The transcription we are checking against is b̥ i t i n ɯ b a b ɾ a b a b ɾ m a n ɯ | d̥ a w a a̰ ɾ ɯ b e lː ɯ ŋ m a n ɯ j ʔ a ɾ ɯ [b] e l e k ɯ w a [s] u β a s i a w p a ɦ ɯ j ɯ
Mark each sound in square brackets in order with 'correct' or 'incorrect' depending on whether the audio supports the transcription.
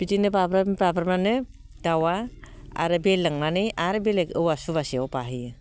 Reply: correct, correct

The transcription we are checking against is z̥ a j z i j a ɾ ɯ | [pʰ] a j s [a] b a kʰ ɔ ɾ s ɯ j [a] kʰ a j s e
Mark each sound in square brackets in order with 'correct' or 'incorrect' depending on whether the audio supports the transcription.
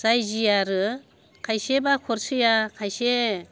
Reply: incorrect: kʰ, incorrect: e, correct

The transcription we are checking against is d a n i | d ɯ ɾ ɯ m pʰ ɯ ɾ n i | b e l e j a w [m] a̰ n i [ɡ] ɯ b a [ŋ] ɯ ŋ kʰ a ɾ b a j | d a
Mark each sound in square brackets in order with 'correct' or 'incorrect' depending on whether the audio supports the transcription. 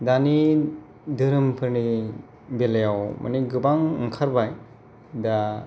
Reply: correct, correct, correct

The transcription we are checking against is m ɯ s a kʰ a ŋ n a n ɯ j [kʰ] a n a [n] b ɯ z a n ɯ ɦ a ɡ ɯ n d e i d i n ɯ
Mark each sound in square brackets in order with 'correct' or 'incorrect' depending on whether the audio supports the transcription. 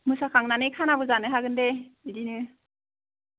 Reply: correct, incorrect: none

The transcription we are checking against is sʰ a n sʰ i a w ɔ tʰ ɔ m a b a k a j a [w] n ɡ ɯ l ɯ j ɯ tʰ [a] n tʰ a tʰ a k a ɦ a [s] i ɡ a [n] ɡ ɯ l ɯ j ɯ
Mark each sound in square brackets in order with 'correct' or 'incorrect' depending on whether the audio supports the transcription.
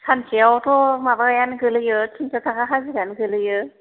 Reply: incorrect: none, incorrect: i, incorrect: z, correct

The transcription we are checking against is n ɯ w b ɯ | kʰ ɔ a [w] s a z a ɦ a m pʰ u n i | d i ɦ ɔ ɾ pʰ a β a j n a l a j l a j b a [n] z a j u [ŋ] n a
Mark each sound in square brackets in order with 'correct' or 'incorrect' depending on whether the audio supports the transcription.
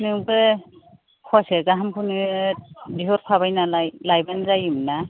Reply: incorrect: none, correct, incorrect: m

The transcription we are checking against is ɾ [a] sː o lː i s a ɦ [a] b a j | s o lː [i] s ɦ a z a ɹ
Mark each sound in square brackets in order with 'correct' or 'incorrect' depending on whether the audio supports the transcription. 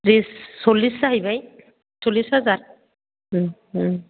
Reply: incorrect: i, incorrect: i, correct

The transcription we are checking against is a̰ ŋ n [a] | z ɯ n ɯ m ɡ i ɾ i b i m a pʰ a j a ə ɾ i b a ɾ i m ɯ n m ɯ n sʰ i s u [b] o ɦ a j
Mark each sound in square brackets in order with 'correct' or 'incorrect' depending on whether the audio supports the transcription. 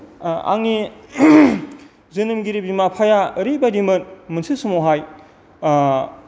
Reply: incorrect: i, incorrect: m

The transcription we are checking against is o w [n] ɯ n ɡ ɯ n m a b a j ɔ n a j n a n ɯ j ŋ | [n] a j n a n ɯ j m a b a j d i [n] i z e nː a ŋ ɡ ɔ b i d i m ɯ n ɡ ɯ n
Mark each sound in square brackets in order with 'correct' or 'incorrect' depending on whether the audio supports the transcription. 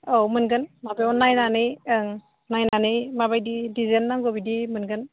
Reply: incorrect: m, correct, incorrect: d

